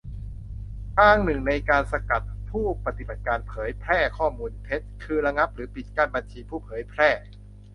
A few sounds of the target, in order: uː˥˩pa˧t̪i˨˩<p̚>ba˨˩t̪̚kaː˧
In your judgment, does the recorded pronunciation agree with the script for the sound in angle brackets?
no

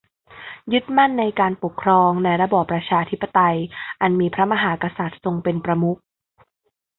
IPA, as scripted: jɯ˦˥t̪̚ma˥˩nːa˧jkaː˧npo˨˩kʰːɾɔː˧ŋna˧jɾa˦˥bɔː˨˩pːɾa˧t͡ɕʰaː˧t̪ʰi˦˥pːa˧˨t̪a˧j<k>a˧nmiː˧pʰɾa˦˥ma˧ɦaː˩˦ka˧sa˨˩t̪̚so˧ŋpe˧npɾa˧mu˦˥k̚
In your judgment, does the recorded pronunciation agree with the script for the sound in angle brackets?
no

